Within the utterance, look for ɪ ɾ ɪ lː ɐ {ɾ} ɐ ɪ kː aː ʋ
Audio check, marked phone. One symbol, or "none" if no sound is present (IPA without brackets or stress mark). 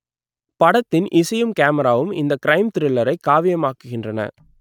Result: ɾ